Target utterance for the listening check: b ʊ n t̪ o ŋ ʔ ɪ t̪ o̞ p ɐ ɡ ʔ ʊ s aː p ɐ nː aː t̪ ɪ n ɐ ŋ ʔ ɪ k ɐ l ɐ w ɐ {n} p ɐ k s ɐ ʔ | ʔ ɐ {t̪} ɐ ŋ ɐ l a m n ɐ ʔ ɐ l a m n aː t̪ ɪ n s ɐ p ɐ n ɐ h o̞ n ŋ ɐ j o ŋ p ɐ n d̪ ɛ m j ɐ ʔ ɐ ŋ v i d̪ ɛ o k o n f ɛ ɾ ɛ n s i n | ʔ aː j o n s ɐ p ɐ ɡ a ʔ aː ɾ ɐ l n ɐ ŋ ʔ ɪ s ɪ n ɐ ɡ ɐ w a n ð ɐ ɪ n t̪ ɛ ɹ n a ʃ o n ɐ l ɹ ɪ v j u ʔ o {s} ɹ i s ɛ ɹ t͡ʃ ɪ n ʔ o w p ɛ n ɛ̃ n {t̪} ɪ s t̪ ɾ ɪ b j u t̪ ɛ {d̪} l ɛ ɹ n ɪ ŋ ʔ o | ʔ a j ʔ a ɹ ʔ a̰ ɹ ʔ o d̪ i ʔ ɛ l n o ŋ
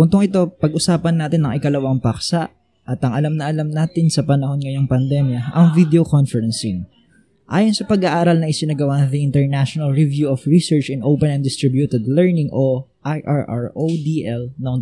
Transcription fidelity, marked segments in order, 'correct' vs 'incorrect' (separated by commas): incorrect, correct, incorrect, incorrect, correct